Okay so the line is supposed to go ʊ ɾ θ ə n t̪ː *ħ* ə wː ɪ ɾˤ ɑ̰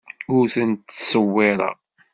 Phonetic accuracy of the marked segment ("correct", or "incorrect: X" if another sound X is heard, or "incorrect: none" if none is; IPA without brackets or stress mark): incorrect: s